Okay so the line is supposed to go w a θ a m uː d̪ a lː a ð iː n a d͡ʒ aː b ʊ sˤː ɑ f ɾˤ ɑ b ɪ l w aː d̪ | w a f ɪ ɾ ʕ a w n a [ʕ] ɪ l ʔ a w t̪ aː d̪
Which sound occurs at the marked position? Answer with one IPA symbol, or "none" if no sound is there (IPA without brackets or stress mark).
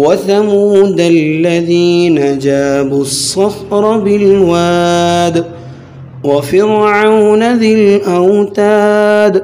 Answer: ð